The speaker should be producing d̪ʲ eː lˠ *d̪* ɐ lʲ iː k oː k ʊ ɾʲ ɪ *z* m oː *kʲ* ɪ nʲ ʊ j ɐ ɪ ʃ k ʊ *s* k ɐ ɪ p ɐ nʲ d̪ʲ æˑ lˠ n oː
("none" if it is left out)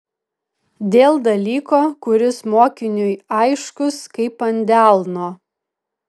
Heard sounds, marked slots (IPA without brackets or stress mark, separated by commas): d̪, s, kʲ, s